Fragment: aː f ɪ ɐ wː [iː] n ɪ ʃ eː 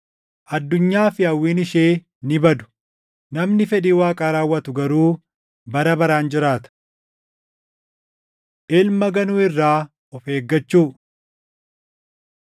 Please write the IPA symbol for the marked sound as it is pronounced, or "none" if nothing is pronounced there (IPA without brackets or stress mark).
iː